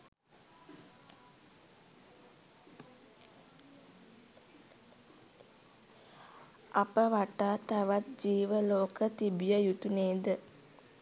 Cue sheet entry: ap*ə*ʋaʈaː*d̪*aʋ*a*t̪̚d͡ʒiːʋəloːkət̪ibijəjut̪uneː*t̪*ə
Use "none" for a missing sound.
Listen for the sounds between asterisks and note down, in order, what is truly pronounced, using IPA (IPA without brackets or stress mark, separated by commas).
ə, t̪, a, d̪